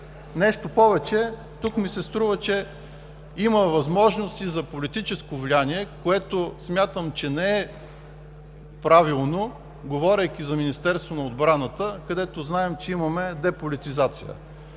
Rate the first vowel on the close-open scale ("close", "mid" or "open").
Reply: mid